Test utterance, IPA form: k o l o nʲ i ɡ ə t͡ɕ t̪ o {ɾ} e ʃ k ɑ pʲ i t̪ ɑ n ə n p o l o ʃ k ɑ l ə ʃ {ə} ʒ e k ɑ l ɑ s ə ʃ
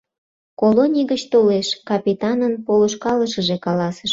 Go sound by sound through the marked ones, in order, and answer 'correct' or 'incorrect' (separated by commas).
incorrect, correct